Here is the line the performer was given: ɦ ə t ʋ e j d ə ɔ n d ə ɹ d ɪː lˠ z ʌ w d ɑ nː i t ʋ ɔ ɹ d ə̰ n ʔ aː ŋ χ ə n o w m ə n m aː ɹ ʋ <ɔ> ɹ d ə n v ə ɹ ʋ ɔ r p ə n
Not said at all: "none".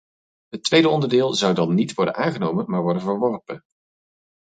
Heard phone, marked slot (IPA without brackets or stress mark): ɔ